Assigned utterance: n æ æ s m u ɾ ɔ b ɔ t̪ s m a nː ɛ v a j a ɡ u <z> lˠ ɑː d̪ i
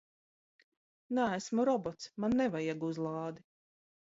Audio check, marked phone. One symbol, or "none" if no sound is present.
z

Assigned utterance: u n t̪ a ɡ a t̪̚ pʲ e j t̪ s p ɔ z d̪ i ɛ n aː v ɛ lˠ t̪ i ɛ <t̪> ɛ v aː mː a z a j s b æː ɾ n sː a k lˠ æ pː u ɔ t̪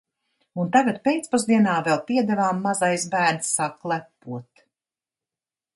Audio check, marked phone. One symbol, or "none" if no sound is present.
d̪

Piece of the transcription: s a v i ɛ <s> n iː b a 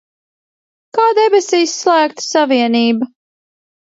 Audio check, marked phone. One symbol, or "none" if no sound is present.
none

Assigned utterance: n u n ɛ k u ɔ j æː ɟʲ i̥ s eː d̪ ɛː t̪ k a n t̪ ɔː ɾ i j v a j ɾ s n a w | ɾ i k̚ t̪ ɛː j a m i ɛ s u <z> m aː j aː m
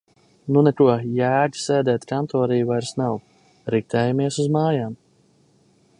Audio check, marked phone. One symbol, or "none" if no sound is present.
z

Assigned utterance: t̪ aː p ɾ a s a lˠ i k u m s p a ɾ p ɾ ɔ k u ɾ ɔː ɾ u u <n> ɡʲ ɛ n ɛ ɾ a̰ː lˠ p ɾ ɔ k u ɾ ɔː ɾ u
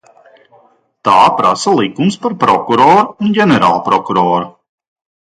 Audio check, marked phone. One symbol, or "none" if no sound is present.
n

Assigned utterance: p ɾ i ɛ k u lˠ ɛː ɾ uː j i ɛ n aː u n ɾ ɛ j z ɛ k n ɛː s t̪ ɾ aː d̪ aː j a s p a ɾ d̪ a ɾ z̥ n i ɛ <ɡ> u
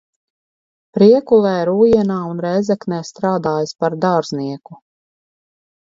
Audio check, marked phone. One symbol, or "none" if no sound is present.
k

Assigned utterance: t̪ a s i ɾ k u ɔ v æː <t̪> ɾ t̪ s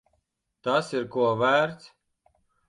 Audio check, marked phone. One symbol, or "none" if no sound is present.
none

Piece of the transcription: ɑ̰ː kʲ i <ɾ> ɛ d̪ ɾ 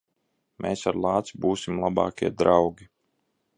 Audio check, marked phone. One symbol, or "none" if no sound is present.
none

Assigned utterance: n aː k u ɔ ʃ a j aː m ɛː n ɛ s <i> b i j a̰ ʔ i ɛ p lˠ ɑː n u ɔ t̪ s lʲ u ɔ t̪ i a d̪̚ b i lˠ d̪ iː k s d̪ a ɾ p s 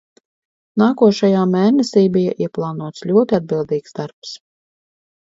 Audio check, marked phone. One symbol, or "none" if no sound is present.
iː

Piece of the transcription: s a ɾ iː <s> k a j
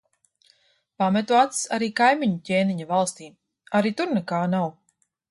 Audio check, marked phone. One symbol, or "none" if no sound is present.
none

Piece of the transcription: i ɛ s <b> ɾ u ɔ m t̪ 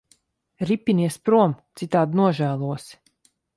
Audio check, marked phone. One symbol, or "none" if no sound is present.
p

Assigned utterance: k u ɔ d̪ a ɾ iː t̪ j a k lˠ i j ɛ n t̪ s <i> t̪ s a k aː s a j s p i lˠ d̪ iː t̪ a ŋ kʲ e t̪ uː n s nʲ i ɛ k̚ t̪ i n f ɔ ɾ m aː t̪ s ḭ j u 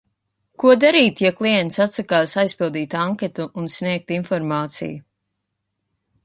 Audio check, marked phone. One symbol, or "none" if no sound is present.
a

